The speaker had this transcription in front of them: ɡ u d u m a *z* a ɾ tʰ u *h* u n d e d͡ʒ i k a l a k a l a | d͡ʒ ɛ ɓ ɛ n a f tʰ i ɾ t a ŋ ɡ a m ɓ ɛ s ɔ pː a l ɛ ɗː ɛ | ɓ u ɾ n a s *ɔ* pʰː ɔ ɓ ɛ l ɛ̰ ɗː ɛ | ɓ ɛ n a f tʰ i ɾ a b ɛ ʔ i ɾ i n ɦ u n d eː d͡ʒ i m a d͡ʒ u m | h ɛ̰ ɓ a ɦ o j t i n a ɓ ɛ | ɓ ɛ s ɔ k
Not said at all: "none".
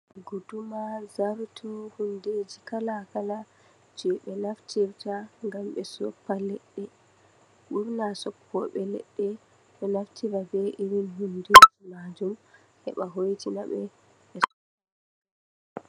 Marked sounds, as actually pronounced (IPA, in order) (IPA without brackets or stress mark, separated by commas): z, h, ɔ